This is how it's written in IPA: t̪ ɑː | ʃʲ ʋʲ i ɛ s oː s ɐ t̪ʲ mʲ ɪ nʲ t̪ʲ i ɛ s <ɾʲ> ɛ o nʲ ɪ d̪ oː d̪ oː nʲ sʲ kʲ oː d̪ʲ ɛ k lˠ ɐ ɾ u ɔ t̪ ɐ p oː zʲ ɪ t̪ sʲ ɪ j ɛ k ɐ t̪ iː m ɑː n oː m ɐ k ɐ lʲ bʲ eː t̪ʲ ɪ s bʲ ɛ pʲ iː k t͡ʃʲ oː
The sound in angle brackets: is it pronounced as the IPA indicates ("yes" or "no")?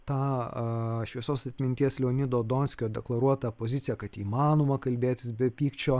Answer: no